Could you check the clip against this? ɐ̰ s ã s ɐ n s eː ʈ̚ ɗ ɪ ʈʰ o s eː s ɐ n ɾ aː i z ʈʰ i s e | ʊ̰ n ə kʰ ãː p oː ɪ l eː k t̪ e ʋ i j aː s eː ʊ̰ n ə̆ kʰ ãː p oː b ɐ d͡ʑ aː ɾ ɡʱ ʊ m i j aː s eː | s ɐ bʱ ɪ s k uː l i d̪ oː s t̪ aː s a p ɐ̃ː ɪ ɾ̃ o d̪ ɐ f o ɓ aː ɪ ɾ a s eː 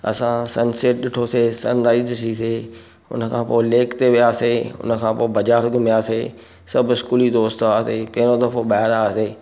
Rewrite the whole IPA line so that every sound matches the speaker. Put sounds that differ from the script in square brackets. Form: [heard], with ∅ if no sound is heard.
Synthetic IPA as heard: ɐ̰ s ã s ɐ n s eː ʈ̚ ɗ ɪ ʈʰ o s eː s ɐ n ɾ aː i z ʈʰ i s e | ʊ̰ n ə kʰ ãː p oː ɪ l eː k t̪ e ʋ i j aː s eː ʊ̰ n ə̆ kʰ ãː p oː b ɐ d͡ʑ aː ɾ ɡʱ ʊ m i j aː s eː | s ɐ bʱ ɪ s k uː l i d̪ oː s t̪ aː s [e] p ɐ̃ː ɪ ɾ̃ o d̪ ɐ f o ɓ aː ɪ ɾ a s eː